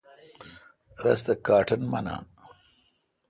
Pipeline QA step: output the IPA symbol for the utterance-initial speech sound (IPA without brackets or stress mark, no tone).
ɾ